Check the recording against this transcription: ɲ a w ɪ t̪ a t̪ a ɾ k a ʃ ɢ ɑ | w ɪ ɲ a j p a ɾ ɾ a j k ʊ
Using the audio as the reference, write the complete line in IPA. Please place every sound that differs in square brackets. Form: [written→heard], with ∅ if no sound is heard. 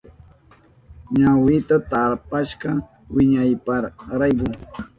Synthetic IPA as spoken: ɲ a w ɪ t̪ a t̪ a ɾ [k→p] a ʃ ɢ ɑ | w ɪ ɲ a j p a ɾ ɾ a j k ʊ